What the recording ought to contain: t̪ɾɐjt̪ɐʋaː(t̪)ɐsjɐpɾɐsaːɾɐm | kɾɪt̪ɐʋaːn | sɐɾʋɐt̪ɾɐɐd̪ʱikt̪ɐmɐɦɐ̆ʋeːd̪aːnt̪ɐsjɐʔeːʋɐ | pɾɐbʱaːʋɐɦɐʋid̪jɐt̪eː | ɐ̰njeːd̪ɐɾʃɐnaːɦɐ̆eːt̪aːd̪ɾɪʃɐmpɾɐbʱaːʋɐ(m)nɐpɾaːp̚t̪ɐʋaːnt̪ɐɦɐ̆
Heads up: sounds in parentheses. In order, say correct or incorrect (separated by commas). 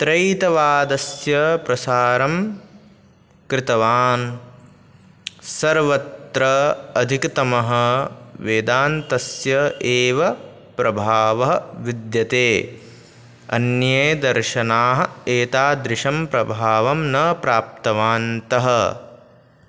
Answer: incorrect, correct